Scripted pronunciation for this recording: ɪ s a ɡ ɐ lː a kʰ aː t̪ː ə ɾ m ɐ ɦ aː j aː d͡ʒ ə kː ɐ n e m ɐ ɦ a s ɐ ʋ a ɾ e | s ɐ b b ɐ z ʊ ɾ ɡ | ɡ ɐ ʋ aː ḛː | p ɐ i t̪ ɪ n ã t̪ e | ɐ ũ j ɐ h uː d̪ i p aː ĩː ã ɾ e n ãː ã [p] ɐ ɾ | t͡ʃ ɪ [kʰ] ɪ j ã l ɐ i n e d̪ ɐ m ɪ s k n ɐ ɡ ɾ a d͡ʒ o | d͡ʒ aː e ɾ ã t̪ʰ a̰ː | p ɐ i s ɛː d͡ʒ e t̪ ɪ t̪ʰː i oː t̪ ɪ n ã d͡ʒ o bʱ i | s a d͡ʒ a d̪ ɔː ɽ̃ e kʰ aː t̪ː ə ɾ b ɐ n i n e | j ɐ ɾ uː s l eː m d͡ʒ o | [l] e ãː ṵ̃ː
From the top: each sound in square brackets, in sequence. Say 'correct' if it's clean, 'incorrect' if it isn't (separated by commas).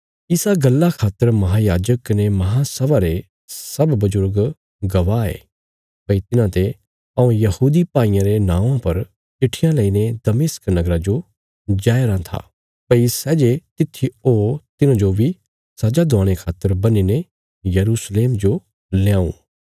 correct, incorrect, correct